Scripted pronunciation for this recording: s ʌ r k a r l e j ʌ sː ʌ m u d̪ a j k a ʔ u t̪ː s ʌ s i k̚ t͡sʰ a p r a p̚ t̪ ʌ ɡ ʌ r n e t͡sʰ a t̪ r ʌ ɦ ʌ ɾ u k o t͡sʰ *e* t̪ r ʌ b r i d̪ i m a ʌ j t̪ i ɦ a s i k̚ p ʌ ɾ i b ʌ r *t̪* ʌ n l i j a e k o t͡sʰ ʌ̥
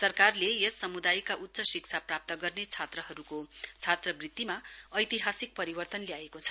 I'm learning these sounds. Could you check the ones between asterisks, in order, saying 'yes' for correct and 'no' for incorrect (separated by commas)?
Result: no, yes